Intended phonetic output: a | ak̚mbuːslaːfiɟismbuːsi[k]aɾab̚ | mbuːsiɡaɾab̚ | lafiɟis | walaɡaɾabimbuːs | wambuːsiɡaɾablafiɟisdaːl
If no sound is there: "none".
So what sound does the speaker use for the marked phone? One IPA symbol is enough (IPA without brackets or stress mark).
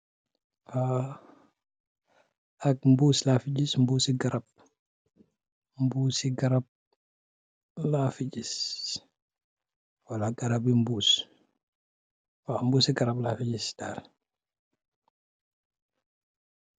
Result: ɡ